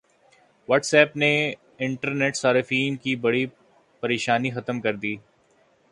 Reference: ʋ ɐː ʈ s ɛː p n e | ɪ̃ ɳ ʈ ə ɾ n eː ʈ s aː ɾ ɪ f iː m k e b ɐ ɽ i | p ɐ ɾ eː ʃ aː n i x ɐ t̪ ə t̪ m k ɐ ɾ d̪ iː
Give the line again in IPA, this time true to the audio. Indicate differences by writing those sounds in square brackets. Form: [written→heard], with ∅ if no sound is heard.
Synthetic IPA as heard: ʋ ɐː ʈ s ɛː p n e | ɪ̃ ɳ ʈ ə ɾ n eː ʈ s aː ɾ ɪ f iː [m→n] k [e→i] b ɐ ɽ i | p ɐ ɾ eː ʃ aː n i x ɐ t̪ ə [t̪→∅] m k ɐ ɾ d̪ iː